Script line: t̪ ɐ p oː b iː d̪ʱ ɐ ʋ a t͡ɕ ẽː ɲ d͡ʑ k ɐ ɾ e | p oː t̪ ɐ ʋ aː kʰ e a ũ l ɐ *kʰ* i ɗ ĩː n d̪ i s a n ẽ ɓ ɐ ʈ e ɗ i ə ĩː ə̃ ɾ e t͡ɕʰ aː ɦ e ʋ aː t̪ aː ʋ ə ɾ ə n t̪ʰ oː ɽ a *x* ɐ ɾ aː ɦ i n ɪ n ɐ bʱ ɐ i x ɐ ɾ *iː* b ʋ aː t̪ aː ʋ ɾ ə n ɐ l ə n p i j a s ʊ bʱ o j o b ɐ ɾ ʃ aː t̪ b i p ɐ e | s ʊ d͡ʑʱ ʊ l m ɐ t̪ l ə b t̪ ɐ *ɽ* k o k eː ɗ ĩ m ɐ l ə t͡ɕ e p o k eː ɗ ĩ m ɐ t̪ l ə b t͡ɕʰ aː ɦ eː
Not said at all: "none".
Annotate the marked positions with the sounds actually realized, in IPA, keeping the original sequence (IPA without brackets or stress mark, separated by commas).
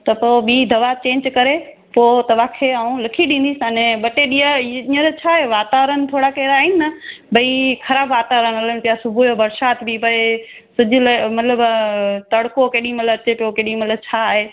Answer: kʰ, k, aː, ɽ